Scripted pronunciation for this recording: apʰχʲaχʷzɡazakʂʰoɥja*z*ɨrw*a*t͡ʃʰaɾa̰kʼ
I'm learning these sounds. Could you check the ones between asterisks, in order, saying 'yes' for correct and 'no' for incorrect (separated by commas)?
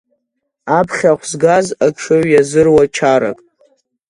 yes, yes